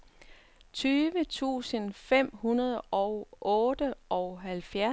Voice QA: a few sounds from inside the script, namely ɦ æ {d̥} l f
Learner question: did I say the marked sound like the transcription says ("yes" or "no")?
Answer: no